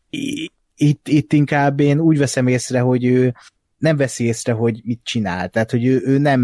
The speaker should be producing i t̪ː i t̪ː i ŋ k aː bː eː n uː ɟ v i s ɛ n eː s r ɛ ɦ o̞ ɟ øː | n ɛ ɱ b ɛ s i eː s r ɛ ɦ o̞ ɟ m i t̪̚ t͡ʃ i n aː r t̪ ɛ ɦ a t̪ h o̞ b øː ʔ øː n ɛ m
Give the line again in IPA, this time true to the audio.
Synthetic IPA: i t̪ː i t̪ː i ŋ k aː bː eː n uː ɟ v ɛ s ɛ m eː s r ɛ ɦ o̞ ɟ øː | n ɛ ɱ v ɛ s i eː s r ɛ ɦ o̞ ɟ m i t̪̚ t͡ʃ i n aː l t̪ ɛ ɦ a t̪ h o̞ ɟ øː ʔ øː n ɛ m